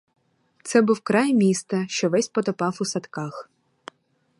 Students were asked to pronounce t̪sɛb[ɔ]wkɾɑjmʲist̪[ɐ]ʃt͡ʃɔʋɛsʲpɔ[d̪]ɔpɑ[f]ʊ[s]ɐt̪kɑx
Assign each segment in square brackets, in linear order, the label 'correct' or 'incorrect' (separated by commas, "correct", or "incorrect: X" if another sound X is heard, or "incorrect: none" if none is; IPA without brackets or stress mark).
incorrect: u, correct, incorrect: t̪, correct, correct